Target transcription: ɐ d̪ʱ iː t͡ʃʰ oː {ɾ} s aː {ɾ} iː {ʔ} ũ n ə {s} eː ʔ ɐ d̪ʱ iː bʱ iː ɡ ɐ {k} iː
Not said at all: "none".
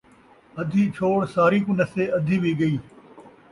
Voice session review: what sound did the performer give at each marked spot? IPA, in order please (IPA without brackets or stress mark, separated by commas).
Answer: ɽ, ɾ, k, s, none